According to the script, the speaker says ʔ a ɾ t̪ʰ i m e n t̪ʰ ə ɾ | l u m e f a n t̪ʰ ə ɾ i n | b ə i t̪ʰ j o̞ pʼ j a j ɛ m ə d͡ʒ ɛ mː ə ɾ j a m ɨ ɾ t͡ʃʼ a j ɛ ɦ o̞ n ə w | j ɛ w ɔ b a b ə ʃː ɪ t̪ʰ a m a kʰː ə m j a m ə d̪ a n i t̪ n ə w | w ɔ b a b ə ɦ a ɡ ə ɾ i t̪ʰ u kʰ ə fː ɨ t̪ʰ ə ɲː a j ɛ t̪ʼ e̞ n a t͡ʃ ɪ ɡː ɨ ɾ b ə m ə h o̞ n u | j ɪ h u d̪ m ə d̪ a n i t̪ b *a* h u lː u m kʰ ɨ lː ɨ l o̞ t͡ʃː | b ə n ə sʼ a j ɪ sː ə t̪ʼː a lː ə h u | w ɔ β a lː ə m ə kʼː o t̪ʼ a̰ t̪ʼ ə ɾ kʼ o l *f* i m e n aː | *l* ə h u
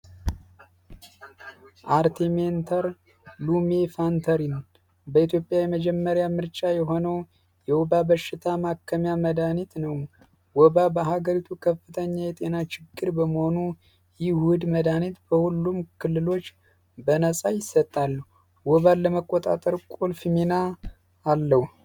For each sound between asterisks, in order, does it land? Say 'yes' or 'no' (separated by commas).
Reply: no, yes, no